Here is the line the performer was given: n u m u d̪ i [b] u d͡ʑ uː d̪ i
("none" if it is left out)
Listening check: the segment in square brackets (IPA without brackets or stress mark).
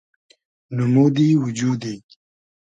w